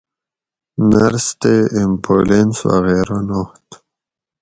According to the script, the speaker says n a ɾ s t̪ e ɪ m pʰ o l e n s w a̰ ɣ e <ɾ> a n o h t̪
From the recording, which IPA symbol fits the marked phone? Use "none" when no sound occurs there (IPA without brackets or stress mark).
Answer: ɾ